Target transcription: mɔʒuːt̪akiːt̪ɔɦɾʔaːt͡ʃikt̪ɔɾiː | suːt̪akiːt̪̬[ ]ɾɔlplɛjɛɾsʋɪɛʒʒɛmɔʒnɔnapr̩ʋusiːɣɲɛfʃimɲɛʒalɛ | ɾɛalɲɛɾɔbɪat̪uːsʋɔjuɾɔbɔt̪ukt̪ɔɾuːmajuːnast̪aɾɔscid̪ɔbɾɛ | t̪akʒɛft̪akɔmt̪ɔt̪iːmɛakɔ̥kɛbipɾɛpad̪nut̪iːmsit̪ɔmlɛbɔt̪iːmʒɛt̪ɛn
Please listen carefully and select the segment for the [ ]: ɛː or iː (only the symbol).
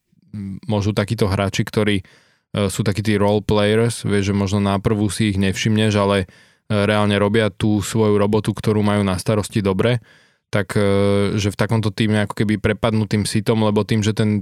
iː